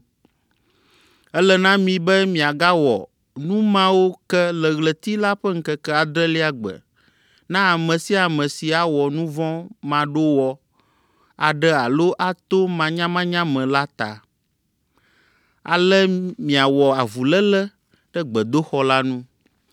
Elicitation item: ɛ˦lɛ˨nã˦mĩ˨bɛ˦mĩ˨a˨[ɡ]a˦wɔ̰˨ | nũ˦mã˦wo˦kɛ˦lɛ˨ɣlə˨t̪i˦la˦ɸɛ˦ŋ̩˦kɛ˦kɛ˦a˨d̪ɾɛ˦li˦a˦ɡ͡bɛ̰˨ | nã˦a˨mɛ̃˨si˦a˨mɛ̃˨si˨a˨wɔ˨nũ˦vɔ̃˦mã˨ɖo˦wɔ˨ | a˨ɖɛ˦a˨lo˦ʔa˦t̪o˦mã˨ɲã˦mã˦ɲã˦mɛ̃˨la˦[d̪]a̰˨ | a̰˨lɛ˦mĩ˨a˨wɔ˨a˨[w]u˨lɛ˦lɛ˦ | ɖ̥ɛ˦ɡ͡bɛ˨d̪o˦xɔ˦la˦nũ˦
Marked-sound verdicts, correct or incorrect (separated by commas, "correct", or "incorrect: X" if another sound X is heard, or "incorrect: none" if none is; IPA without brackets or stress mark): correct, incorrect: t̪, incorrect: v